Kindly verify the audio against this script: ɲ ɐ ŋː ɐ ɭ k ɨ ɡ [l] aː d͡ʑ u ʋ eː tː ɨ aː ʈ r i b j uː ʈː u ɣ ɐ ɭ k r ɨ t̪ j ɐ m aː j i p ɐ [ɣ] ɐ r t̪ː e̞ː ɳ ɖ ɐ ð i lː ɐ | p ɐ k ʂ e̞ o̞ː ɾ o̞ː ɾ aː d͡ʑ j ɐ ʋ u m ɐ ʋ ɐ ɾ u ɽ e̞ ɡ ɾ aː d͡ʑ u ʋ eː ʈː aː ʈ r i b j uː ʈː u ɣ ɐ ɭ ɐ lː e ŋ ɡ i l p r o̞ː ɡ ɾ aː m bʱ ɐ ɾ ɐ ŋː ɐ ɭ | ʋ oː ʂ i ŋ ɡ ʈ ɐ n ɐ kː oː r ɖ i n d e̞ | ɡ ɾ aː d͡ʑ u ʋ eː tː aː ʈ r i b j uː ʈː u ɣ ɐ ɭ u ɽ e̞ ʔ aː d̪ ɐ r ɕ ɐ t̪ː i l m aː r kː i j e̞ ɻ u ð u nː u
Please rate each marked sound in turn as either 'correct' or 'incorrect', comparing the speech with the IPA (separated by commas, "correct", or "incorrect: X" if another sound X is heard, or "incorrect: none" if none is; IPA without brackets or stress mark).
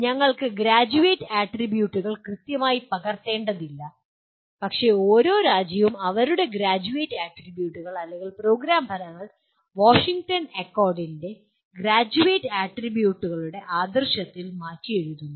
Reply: incorrect: ɾ, correct